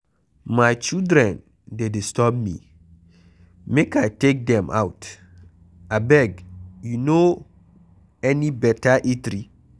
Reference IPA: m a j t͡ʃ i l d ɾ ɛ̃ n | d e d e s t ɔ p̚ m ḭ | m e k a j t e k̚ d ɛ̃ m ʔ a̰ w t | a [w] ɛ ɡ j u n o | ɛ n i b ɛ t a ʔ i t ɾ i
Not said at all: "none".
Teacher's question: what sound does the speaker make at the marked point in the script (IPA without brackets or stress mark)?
b